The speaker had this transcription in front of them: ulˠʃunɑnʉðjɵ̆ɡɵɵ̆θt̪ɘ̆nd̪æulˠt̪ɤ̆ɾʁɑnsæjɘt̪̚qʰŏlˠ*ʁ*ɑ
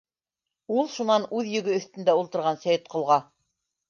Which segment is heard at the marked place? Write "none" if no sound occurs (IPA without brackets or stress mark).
ʁ